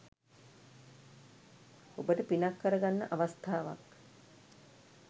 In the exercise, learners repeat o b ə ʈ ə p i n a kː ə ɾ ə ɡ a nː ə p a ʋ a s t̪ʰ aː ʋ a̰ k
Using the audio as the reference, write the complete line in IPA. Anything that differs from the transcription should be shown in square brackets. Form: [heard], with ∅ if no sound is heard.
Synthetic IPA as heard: o b ə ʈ ə p i n a kː ə ɾ ə ɡ a nː ə [ʔ] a ʋ a s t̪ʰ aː ʋ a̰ k